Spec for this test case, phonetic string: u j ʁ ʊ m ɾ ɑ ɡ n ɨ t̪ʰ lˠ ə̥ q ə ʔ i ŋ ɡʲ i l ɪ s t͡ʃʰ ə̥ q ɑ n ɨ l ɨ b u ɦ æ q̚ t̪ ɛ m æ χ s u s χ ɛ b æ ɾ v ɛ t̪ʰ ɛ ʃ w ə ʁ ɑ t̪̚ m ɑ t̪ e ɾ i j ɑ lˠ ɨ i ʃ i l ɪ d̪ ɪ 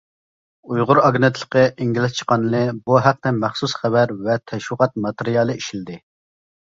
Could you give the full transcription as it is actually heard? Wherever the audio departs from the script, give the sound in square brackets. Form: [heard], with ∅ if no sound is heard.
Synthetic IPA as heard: u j ʁ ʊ [∅] ɾ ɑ ɡ n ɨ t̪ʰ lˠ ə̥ q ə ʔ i ŋ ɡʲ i l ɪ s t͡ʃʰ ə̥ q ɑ n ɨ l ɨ b u ɦ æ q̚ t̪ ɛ m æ χ s u s χ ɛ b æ ɾ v ɛ t̪ʰ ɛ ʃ w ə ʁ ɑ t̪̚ m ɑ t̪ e ɾ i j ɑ lˠ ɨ i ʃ i l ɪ d̪ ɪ